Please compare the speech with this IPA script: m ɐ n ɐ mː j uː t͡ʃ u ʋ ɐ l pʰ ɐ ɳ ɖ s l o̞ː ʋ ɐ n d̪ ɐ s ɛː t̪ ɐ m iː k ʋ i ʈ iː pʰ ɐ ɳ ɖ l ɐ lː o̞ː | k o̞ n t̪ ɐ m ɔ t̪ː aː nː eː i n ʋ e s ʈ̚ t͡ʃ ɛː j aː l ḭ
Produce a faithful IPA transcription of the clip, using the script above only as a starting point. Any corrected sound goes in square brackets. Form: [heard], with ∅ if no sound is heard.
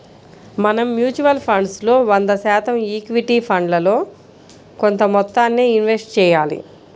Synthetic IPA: m ɐ n ɐ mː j uː t͡ʃ u ʋ ɐ l pʰ ɐ ɳ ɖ s l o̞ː ʋ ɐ n d̪ ɐ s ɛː t̪ ɐ m iː k ʋ i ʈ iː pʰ ɐ ɳ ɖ l ɐ [l] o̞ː | k o̞ n t̪ ɐ m ɔ t̪ː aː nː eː i n ʋ e s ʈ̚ t͡ʃ ɛː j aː l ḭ

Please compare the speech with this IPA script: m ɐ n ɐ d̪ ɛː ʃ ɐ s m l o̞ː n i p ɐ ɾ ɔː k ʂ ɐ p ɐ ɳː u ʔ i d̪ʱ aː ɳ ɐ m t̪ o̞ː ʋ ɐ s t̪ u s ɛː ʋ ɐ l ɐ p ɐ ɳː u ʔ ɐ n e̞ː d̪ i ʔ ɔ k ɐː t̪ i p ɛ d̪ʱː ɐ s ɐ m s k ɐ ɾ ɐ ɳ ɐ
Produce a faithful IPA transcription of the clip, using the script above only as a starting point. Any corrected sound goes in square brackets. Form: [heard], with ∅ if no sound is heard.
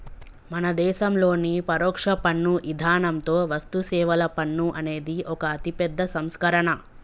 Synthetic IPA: m ɐ n ɐ d̪ ɛː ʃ ɐ [∅] m l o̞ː n i p ɐ ɾ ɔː k ʂ ɐ p ɐ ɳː u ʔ i d̪ʱ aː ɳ ɐ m t̪ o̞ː ʋ ɐ s t̪ u s ɛː ʋ ɐ l ɐ p ɐ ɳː u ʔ ɐ n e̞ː d̪ i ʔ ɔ k ɐː t̪ i p ɛ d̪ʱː ɐ s ɐ m s k ɐ ɾ ɐ ɳ ɐ

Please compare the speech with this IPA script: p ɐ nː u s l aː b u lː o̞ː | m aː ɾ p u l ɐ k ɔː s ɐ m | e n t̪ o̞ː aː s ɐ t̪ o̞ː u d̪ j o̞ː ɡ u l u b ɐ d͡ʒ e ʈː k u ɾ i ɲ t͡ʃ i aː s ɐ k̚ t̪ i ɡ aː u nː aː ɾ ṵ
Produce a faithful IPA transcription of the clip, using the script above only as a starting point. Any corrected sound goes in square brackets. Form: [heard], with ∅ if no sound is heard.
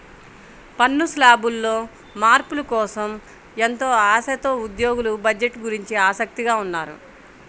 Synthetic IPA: p ɐ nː u s l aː b u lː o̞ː | m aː ɾ p u l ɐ k ɔː s ɐ m | e n t̪ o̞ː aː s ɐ t̪ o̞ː u d̪ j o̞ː ɡ u l u b ɐ d͡ʒ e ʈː [ɡ] u ɾ i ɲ t͡ʃ i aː s ɐ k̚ t̪ i ɡ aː u nː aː ɾ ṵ

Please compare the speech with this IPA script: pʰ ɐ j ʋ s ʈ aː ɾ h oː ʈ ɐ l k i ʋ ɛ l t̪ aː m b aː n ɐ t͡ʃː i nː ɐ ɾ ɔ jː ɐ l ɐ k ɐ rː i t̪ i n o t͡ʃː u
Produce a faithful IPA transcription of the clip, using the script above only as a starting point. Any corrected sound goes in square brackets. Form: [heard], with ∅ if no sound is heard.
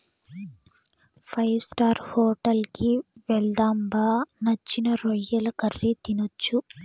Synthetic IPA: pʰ ɐ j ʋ s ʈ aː ɾ h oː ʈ ɐ l k i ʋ ɛ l [d̪] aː m b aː n ɐ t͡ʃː i [n] ɐ ɾ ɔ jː ɐ l ɐ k ɐ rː i t̪ i n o t͡ʃː u

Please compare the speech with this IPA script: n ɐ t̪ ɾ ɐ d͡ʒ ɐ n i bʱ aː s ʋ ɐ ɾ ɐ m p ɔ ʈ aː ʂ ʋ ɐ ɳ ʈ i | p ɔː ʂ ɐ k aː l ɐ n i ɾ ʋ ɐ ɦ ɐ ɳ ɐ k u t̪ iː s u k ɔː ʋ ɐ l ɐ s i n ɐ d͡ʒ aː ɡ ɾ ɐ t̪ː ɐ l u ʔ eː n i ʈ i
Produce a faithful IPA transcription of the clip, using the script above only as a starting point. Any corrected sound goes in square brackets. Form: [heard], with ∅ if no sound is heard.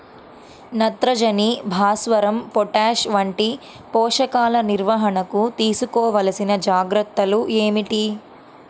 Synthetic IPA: n ɐ t̪ ɾ ɐ d͡ʒ ɐ n i bʱ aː s ʋ ɐ ɾ ɐ m p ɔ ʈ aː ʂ ʋ ɐ ɳ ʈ i | p ɔː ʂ ɐ k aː l ɐ n i ɾ ʋ ɐ ɦ ɐ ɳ ɐ k u t̪ iː s u k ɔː ʋ ɐ l ɐ s i n ɐ d͡ʒ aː ɡ ɾ ɐ t̪ː ɐ l u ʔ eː [m] i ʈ i

